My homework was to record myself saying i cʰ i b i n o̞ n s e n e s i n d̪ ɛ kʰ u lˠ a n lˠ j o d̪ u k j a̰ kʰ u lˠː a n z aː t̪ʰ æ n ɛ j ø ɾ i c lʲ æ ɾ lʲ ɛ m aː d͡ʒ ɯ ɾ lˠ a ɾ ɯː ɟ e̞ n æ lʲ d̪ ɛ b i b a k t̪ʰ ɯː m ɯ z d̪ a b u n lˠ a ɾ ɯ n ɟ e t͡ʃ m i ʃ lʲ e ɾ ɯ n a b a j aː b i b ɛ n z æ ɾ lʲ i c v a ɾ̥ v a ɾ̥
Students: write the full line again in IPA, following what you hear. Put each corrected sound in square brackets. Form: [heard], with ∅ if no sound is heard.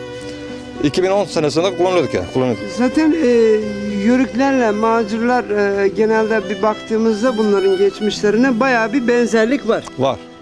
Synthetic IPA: i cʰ i b i n o̞ n s e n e s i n d̪ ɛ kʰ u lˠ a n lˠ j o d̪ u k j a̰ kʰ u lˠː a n z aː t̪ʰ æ n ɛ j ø ɾ [y] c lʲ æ ɾ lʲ ɛ m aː d͡ʒ ɯ ɾ lˠ a ɾ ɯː ɟ e̞ n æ lʲ d̪ ɛ b i b a k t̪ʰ ɯː m ɯ z d̪ a b u n lˠ a ɾ ɯ n ɟ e t͡ʃ m i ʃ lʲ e ɾ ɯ n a b a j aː b i b ɛ n z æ ɾ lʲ i c v a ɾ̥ v a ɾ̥